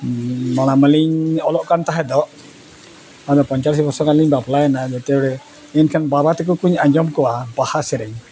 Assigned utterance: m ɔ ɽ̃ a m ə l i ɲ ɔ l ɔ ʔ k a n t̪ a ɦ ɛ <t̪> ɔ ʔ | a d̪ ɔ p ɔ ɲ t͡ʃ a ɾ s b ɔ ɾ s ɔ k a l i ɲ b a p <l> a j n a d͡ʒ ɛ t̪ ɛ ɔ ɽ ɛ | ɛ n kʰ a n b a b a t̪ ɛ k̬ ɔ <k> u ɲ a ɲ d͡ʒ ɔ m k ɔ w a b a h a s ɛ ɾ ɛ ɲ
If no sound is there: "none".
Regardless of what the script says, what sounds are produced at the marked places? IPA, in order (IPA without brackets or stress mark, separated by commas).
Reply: d̪, l, k